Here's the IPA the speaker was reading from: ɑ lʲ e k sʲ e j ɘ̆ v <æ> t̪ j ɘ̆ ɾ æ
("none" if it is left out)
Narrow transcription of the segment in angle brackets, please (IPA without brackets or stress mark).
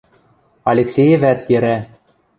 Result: æ